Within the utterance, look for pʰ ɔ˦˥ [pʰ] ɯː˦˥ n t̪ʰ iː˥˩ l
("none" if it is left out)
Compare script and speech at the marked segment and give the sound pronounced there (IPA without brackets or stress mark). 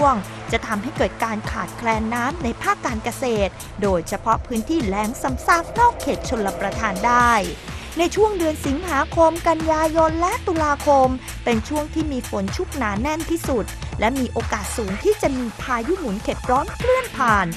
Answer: pʰ